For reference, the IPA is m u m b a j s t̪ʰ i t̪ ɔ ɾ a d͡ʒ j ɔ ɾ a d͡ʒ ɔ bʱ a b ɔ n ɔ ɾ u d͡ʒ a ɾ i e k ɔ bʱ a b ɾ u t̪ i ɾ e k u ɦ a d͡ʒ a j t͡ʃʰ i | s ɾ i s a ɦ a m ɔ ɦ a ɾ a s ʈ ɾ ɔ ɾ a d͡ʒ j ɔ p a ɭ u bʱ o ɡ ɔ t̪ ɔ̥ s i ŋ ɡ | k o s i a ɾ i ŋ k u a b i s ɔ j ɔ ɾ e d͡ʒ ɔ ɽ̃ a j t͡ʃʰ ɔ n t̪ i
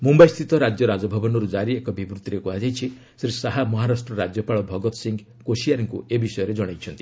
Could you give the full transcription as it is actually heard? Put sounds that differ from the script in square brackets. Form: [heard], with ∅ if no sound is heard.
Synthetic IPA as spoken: m u m b a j s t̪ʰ i t̪ ɔ ɾ a d͡ʒ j ɔ ɾ a d͡ʒ ɔ bʱ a b ɔ n ɔ ɾ u d͡ʒ a ɾ i e k ɔ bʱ [i] b ɾ u t̪ i ɾ e k u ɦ a d͡ʒ a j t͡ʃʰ i | s ɾ i s a ɦ a m ɔ ɦ a ɾ a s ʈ ɾ ɔ ɾ a d͡ʒ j ɔ p a ɭ [ɔ] bʱ [ɔ] ɡ ɔ t̪ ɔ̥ s i ŋ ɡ | k o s i a ɾ i ŋ k u [e] b i s ɔ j ɔ ɾ e d͡ʒ ɔ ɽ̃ a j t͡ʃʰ ɔ n t̪ i